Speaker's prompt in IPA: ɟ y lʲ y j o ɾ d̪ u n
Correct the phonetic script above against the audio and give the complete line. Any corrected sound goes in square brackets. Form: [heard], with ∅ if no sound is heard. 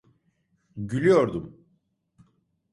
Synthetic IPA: ɟ y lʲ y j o ɾ d̪ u [m]